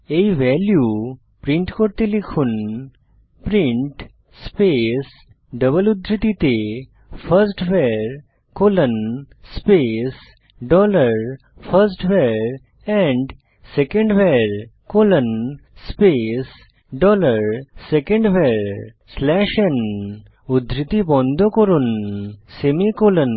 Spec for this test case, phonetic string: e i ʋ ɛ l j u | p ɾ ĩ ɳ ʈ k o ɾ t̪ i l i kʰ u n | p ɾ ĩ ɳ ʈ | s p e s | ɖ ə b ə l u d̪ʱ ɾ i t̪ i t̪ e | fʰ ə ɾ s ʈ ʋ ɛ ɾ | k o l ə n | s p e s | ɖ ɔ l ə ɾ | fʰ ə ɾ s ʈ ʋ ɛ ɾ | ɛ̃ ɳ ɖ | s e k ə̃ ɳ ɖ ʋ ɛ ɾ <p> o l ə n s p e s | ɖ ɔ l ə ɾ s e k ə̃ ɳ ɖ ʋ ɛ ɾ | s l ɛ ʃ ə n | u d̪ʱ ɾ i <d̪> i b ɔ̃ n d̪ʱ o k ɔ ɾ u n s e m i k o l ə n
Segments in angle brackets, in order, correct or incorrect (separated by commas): incorrect, incorrect